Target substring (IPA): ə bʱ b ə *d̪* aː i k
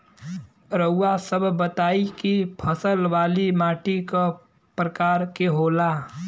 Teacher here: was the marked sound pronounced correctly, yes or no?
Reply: no